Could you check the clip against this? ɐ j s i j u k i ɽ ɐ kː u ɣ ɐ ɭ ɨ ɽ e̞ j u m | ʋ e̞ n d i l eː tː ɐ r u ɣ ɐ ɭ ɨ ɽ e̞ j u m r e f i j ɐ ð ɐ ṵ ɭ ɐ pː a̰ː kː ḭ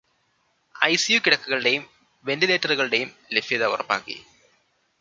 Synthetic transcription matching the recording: ɐ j s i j u k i ɽ ɐ kː u ɣ ɐ ɭ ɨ ɽ e̞ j u m | ʋ e̞ n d i l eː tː ɐ r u ɣ ɐ ɭ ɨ ɽ e̞ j u m l e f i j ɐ ð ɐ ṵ r ɐ pː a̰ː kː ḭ